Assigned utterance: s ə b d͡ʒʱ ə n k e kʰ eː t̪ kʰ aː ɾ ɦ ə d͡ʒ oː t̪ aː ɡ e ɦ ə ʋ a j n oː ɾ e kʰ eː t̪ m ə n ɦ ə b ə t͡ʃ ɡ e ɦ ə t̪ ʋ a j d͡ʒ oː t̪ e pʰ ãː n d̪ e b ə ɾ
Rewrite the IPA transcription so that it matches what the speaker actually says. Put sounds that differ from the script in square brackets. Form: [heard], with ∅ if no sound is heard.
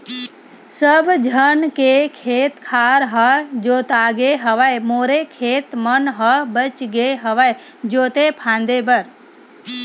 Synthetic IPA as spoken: s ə b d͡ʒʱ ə n k e kʰ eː t̪ kʰ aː ɾ ɦ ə d͡ʒ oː t̪ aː ɡ e ɦ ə ʋ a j [m] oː ɾ e kʰ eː t̪ m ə n ɦ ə b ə t͡ʃ ɡ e ɦ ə [∅] ʋ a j d͡ʒ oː t̪ e pʰ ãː n d̪ e b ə ɾ